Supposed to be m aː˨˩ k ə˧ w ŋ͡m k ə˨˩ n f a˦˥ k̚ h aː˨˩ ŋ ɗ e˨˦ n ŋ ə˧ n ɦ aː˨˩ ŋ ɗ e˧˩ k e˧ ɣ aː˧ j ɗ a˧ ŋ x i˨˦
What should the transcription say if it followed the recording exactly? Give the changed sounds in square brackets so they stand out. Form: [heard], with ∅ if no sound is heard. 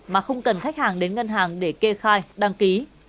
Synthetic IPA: m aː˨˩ [x] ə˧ w ŋ͡m k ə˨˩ n [x] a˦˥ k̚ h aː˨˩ ŋ ɗ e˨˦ n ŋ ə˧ n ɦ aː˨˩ ŋ ɗ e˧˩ k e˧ [x] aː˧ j ɗ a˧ ŋ [k] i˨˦